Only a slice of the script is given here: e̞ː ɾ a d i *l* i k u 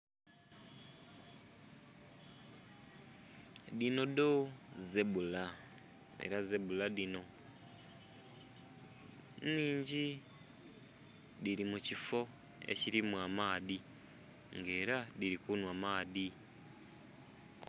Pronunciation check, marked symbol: incorrect: ɾ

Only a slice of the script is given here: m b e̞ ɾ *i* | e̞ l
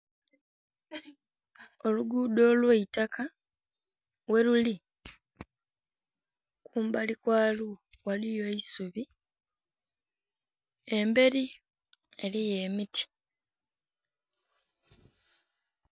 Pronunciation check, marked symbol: correct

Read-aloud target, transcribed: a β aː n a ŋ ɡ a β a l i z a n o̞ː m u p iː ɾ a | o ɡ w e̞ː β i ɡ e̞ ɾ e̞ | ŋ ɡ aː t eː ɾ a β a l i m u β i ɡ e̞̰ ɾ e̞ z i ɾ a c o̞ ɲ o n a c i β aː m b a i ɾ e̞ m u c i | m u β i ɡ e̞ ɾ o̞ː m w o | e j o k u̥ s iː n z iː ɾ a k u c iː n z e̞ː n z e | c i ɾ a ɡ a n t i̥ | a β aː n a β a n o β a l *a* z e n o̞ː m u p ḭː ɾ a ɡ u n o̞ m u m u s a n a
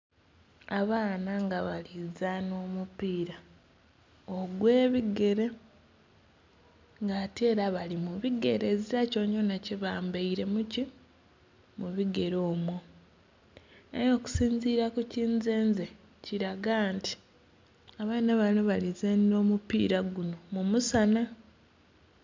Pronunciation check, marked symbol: incorrect: i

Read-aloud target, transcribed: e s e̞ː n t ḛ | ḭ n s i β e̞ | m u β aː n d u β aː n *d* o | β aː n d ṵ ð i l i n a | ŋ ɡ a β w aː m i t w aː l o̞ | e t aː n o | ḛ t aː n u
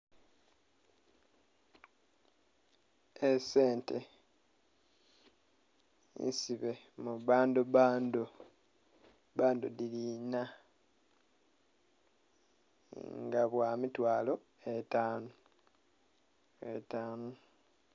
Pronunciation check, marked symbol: correct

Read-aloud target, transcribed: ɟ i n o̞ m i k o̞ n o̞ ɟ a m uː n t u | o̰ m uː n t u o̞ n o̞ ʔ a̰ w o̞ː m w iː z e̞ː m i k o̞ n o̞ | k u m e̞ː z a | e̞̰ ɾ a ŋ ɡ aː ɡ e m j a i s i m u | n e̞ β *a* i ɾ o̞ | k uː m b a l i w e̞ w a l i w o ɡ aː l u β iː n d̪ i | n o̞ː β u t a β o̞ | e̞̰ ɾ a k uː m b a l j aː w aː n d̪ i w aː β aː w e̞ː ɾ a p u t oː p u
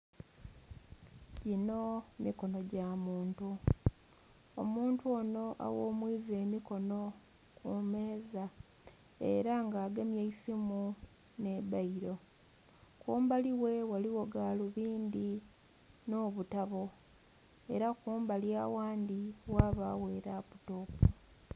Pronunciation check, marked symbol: correct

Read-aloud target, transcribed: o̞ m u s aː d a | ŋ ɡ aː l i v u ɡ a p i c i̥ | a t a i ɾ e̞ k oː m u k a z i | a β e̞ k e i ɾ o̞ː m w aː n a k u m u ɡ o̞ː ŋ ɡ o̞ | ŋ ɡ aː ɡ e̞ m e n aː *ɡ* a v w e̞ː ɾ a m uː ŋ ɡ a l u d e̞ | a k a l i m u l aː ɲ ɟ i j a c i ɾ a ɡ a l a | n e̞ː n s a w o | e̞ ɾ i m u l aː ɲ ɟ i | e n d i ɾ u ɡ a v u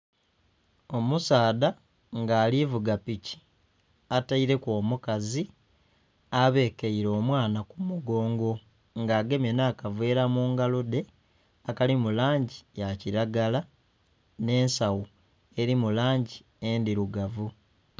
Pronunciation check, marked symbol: incorrect: k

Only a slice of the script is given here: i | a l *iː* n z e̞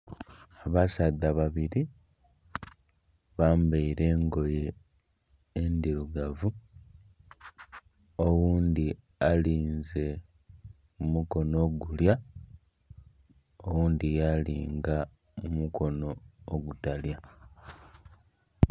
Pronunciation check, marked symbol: correct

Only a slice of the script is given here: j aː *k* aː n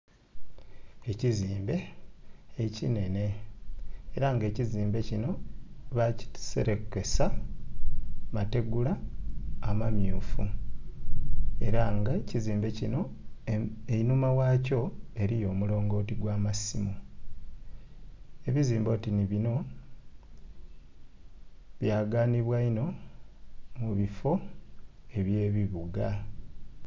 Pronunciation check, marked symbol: incorrect: ɡ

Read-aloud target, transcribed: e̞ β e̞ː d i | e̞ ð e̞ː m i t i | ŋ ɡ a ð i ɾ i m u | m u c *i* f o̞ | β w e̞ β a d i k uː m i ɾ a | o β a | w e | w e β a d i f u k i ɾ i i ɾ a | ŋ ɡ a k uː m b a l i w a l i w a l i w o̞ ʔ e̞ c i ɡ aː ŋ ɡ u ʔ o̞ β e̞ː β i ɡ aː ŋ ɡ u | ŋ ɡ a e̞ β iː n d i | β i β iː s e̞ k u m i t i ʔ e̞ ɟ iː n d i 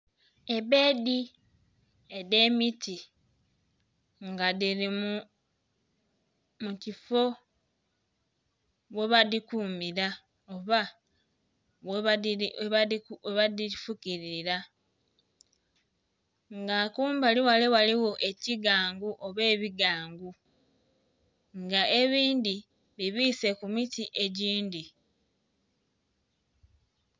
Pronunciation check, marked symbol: correct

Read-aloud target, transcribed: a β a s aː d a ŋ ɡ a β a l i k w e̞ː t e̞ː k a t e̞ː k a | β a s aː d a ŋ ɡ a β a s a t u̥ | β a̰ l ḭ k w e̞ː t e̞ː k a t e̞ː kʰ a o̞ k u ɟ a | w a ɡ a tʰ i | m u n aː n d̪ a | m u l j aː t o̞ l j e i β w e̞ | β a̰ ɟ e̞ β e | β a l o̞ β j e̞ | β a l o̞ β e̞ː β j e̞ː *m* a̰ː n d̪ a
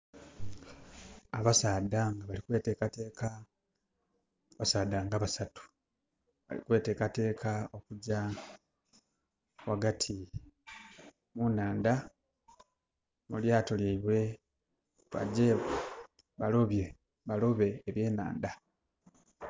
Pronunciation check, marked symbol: incorrect: n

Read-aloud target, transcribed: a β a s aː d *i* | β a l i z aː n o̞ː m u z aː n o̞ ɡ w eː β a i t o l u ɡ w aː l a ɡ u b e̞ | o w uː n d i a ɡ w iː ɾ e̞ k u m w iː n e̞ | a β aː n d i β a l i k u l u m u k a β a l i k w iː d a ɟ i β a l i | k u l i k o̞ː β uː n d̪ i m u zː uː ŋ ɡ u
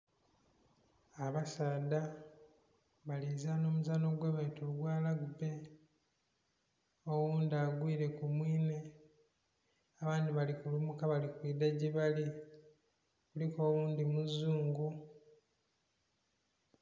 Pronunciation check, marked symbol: incorrect: a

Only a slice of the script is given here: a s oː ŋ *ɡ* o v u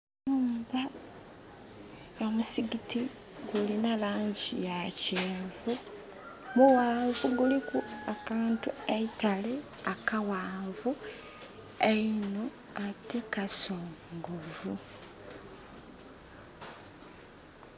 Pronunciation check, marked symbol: correct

